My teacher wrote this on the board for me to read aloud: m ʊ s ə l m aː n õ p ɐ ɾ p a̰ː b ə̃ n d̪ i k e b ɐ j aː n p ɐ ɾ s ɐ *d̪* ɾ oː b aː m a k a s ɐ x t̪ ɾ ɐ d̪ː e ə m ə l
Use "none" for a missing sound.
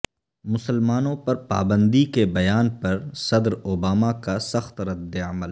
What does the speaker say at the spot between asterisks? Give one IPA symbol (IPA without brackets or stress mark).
d̪